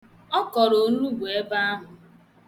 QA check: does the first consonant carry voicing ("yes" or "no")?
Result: no